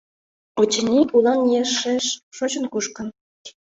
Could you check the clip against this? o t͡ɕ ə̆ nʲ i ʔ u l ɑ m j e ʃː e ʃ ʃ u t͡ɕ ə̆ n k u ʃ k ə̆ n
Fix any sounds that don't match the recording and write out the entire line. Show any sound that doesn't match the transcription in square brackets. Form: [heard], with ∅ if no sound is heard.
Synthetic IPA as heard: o t͡ɕ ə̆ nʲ i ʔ u l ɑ [n] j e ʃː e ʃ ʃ [o] t͡ɕ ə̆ n k u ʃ k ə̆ n